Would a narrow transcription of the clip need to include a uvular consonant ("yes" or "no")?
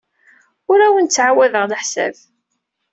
yes